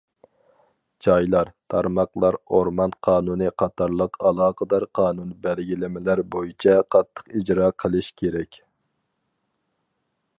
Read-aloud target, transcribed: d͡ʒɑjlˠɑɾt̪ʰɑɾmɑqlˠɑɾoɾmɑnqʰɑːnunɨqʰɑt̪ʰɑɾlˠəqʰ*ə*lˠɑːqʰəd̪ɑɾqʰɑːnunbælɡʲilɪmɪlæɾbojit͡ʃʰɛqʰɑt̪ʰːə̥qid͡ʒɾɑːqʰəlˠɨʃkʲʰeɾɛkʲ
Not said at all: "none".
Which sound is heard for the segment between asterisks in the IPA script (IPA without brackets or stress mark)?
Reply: ɑ